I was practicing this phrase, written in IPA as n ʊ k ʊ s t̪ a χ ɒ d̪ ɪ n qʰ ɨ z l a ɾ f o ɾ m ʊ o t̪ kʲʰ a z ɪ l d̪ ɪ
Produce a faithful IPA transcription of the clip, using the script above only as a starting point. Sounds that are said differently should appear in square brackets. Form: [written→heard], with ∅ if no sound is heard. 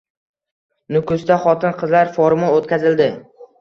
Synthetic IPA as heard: n ʊ k ʊ s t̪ a χ ɒ [d̪→t̪] ɪ n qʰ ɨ z l a ɾ f o ɾ m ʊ o t̪ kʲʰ a z ɪ l d̪ ɪ